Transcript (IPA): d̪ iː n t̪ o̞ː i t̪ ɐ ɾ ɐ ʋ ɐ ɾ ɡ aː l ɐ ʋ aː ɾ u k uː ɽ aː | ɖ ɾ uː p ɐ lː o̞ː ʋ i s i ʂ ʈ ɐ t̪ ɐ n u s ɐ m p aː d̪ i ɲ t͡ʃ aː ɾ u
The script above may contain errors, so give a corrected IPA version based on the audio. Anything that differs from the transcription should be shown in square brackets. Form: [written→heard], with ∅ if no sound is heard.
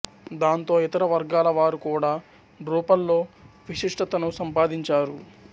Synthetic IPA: d̪ [iː→aː] n t̪ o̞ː i t̪ ɐ ɾ ɐ ʋ ɐ ɾ ɡ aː l ɐ ʋ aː ɾ u k uː ɽ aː | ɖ ɾ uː p ɐ lː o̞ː ʋ i [s→ʂ] i ʂ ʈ ɐ t̪ ɐ n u s ɐ m p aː d̪ i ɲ t͡ʃ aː ɾ u